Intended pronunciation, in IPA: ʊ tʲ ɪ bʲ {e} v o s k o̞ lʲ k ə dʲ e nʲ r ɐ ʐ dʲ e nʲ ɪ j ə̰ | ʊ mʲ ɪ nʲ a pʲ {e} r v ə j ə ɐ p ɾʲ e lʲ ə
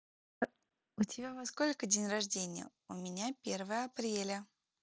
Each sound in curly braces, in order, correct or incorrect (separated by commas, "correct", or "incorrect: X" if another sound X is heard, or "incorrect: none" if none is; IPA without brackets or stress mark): incorrect: a, correct